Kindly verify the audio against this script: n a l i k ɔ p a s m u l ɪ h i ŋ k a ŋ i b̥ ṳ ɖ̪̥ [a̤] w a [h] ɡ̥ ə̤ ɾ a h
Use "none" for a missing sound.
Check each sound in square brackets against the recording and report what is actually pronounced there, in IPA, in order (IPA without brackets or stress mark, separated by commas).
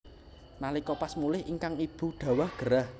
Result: a̤, h